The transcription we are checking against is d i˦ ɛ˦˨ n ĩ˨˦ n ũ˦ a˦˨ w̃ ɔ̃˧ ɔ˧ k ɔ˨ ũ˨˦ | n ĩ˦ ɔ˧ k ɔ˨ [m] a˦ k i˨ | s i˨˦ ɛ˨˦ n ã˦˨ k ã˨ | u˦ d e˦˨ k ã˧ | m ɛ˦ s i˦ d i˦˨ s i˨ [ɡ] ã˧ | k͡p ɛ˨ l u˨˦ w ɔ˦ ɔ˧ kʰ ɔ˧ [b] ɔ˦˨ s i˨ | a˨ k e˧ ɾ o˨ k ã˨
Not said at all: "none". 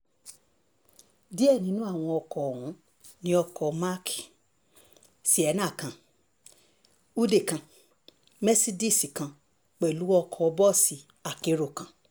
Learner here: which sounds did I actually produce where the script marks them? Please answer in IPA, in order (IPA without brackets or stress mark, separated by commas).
m, k, b